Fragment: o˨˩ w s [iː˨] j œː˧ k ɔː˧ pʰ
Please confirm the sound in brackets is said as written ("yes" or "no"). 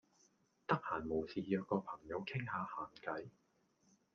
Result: yes